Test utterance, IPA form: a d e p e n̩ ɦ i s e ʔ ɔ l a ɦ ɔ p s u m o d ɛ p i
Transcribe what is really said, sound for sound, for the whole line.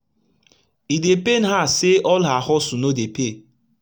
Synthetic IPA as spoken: i d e p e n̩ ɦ a s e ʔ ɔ l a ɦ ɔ s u n o d e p e